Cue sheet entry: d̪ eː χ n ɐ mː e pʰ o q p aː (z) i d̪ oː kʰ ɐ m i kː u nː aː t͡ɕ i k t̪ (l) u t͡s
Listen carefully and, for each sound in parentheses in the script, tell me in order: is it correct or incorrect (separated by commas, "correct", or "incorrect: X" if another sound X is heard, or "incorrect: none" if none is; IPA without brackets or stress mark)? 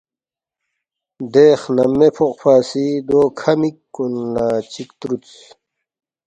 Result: incorrect: s, incorrect: ɾ